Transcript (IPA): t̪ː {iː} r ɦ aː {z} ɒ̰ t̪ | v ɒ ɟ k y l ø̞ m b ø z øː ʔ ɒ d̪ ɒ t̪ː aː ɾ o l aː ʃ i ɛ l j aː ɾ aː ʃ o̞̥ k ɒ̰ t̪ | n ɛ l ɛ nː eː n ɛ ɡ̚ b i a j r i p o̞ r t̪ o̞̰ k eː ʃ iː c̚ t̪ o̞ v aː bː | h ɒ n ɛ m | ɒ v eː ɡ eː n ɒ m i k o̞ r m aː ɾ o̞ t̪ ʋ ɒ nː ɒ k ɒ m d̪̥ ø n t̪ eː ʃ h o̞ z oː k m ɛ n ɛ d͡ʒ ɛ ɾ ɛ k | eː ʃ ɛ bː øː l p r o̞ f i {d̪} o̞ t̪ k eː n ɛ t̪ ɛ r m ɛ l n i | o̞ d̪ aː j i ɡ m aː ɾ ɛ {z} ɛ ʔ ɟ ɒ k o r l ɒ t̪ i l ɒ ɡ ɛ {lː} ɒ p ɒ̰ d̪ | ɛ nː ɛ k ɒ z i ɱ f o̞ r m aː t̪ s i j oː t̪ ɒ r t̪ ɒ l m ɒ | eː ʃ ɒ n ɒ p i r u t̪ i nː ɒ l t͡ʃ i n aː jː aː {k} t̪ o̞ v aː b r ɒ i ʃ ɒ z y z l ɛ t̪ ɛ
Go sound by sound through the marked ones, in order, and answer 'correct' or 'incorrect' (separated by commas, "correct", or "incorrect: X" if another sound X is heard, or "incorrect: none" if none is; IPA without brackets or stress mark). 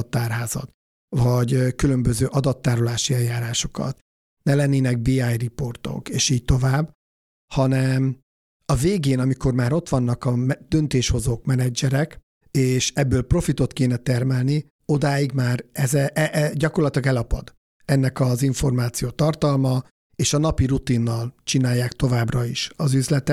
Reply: incorrect: aː, correct, incorrect: t̪, correct, incorrect: l, correct